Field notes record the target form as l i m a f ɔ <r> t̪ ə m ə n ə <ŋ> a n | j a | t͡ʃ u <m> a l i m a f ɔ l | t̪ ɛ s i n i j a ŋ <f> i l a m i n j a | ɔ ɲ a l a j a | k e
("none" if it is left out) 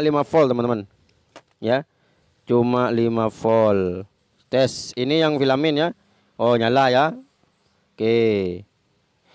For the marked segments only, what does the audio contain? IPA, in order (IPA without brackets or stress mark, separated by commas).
l, m, m, f